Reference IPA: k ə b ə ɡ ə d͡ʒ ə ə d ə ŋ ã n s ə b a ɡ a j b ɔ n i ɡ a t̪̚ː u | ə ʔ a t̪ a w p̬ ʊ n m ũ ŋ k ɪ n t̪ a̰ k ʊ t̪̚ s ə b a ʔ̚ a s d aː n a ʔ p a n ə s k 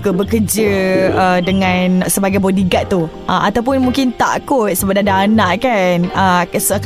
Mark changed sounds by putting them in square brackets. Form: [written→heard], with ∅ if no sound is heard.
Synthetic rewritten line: k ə b ə [ɡ→k] ə d͡ʒ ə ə d ə ŋ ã n s ə b a ɡ a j b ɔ [n→d] i ɡ a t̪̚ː u | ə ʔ a t̪ a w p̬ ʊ n m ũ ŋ k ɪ n t̪ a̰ k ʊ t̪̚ s ə b a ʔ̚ a [s→∅] d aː n a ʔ [p→k] a n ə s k